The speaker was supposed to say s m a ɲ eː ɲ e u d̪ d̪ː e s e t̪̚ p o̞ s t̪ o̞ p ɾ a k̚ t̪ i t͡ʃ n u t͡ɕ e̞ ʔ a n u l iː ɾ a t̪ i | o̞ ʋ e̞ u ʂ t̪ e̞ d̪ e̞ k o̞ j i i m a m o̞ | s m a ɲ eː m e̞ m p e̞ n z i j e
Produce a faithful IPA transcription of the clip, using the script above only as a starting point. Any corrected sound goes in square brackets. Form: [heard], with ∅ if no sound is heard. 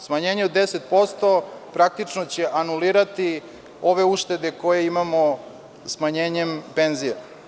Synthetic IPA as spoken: s m a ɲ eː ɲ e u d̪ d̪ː e s e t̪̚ p o̞ s t̪ o̞ p ɾ a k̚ t̪ i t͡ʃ n [o] t͡ɕ e̞ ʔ a n u l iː ɾ a t̪ i | o̞ ʋ e̞ u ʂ t̪ e̞ d̪ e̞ k o̞ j [e] i m a m o̞ | s m a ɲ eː [ɲ] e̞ m p e̞ n z i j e